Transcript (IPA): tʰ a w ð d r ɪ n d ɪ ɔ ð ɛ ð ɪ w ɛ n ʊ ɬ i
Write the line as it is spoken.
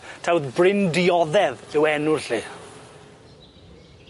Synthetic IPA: tʰ a w ð b r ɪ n d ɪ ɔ ð ɛ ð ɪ w ɛ n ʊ ɬ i